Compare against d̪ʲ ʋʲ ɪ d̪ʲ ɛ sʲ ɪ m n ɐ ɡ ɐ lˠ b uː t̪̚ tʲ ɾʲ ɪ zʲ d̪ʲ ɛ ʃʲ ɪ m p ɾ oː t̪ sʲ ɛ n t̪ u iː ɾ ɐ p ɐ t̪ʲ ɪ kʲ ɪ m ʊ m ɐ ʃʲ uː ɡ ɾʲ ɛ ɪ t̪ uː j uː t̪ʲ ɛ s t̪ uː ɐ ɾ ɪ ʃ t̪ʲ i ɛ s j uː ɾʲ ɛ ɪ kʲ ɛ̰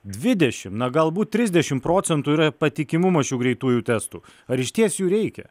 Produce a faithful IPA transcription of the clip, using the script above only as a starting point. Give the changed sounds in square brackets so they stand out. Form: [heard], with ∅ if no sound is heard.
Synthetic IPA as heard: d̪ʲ ʋʲ ɪ d̪ʲ ɛ [ʃʲ] ɪ m n ɐ ɡ ɐ lˠ b uː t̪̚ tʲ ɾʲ ɪ zʲ d̪ʲ ɛ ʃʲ ɪ m p ɾ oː t̪ sʲ ɛ n t̪ u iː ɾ ɐ p ɐ t̪ʲ ɪ kʲ ɪ m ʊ m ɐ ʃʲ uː ɡ ɾʲ ɛ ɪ t̪ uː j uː t̪ʲ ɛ s t̪ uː ɐ ɾ ɪ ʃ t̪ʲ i ɛ s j uː ɾʲ ɛ ɪ kʲ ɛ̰